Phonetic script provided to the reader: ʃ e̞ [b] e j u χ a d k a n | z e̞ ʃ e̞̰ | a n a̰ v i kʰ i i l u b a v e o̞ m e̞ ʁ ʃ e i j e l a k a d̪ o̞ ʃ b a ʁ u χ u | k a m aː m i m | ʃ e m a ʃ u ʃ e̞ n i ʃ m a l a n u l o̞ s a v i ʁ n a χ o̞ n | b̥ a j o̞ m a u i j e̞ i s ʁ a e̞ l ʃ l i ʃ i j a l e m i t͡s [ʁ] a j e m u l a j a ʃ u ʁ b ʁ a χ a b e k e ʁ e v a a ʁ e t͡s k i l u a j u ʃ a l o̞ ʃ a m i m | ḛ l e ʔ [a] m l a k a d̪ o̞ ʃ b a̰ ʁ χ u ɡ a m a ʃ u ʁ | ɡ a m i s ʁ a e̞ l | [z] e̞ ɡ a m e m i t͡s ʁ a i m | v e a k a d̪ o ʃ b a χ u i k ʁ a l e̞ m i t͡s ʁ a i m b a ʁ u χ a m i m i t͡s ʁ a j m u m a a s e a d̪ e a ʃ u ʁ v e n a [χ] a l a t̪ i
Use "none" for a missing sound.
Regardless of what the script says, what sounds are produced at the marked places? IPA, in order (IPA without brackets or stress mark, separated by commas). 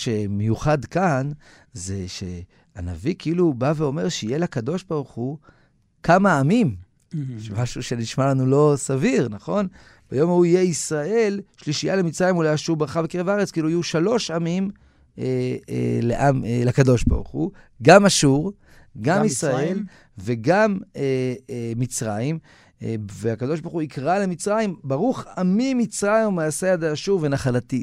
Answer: m, ʁ, a, v, χ